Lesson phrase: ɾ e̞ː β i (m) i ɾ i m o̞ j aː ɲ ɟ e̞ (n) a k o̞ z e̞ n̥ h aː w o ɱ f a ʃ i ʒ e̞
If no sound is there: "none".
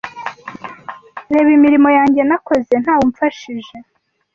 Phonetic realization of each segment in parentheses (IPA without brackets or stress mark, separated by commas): m, n